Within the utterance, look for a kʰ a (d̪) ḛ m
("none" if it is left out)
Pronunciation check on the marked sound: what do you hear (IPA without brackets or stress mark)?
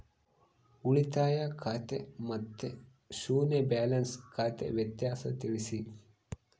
t̪